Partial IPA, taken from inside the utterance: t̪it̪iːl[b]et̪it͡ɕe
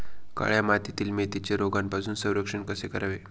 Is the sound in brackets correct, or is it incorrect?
incorrect